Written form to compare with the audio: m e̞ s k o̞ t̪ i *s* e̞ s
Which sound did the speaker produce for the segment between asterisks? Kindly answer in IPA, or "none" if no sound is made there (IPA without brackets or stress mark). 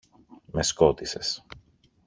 s